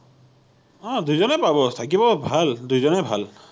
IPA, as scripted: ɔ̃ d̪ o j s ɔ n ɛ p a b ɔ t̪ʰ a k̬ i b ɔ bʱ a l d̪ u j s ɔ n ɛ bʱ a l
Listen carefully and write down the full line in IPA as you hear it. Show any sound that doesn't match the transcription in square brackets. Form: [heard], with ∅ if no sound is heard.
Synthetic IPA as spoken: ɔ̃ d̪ [u] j [z] ɔ n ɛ p a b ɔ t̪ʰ a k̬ i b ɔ bʱ a l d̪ u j [z] ɔ n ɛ bʱ a l